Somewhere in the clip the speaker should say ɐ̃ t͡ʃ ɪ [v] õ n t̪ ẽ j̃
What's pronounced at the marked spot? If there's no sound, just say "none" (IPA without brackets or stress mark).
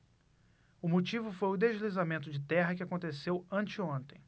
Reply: none